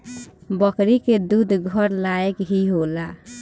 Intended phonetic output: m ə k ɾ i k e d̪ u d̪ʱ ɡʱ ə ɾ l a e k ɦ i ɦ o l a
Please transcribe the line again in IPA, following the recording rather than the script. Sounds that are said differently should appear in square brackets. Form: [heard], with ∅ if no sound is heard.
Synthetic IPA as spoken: [b] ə k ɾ i k e d̪ u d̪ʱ ɡʱ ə ɾ l a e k ɦ i ɦ o l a